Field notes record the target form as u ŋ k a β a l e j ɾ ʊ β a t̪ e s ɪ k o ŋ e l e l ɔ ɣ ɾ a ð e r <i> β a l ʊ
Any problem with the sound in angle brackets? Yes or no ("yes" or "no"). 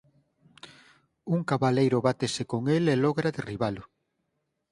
no